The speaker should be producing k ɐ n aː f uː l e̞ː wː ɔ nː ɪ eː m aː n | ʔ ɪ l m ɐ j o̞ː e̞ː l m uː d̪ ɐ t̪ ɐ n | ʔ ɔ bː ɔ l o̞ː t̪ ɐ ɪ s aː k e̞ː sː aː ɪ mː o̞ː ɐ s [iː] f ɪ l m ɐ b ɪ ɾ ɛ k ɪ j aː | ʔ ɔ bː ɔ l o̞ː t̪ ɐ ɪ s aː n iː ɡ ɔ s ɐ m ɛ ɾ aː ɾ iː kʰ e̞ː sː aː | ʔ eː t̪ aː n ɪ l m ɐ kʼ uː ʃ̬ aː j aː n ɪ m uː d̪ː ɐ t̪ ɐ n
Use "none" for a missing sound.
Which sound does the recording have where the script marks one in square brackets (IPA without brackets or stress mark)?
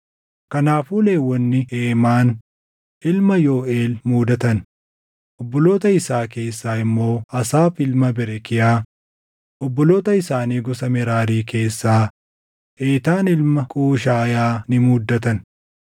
aː